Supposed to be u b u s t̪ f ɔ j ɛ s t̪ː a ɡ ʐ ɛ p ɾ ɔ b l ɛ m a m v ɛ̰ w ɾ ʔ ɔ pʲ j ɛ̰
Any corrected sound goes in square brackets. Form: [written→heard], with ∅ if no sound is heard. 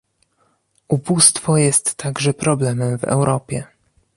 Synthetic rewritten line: u b u s t̪ f ɔ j ɛ s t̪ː a ɡ ʐ ɛ p ɾ ɔ b l ɛ m [a→ɛ] m v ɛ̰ w ɾ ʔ ɔ pʲ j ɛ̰